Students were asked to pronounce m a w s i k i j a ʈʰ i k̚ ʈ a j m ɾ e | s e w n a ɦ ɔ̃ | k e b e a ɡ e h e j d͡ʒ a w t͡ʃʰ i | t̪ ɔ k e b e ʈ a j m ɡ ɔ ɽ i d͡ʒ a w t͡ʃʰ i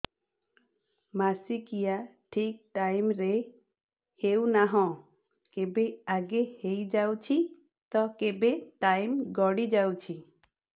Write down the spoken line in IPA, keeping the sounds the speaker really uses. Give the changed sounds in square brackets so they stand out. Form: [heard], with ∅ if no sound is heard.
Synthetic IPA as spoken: m a [∅] s i k i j a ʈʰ i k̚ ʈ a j m ɾ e | [h] e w n a ɦ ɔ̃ | k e b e a ɡ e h e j d͡ʒ a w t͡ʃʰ i | t̪ ɔ k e b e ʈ a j m ɡ ɔ ɽ i d͡ʒ a w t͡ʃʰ i